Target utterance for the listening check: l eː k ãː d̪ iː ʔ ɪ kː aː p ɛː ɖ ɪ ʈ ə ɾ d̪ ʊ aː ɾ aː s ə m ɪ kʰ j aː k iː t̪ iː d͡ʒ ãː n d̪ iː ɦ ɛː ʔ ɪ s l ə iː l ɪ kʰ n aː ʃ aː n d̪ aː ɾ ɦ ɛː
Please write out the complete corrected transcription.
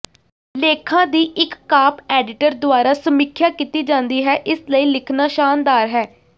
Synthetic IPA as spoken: l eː kʰ ãː d̪ iː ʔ ɪ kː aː p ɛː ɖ ɪ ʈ ə ɾ d̪ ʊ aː ɾ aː s ə m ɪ kʰ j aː k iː t̪ iː d͡ʒ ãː n d̪ iː ɦ ɛː ʔ ɪ s l ə iː l ɪ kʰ n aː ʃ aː n d̪ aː ɾ ɦ ɛː